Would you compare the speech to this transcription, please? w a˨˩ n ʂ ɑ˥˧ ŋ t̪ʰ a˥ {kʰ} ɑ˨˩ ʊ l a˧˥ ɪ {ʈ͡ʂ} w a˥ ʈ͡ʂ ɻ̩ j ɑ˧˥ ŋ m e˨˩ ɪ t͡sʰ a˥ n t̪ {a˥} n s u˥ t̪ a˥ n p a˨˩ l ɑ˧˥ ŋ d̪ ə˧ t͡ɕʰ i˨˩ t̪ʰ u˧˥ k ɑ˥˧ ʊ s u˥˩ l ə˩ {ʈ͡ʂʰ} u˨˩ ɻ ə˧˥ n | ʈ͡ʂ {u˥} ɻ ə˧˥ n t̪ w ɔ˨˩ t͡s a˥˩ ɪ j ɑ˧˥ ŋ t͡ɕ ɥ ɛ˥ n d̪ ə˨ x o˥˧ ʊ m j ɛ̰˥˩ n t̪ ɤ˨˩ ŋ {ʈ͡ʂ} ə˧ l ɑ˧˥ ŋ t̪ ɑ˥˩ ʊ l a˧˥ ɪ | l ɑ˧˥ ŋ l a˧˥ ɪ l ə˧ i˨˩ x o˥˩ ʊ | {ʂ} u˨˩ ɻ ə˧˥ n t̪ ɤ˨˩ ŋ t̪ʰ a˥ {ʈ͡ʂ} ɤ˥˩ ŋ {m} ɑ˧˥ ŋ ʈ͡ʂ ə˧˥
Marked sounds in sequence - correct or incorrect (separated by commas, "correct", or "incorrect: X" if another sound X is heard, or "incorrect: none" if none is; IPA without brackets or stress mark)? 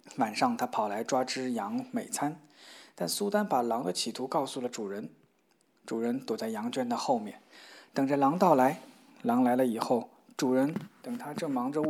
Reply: incorrect: pʰ, correct, incorrect: a˥˩, incorrect: ʈ͡ʂ, incorrect: u˨˩, correct, incorrect: ʈ͡ʂ, correct, correct